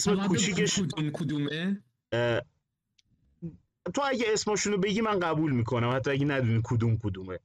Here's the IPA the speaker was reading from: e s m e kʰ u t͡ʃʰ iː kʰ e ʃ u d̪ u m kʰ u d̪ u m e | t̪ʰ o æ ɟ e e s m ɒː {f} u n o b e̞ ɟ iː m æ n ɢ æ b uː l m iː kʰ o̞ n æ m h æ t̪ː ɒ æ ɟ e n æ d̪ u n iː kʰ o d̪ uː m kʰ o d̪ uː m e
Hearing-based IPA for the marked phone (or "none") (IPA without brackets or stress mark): ʃ